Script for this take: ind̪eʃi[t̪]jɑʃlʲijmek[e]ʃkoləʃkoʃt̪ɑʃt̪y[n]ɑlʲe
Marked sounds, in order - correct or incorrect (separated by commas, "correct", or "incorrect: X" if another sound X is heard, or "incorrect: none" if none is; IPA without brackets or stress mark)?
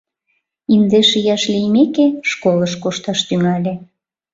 incorrect: none, correct, incorrect: ŋ